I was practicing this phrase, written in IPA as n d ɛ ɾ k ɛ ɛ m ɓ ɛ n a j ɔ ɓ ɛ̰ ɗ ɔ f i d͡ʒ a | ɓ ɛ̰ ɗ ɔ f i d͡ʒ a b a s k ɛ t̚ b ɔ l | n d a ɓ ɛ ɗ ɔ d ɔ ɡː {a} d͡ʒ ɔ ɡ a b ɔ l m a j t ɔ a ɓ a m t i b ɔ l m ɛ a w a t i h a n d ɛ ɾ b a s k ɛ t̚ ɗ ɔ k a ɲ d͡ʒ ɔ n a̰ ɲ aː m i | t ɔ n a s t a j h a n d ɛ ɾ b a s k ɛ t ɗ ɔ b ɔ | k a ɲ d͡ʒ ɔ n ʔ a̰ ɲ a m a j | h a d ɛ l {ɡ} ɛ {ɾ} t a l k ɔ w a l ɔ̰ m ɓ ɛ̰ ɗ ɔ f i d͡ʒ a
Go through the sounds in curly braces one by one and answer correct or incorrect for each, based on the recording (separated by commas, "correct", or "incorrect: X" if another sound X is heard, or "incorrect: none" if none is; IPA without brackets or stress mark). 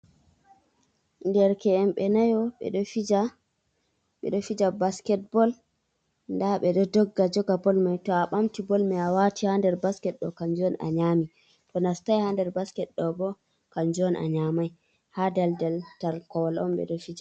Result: correct, incorrect: d, incorrect: l